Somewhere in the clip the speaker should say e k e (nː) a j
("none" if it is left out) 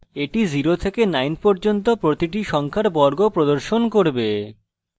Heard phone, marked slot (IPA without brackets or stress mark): n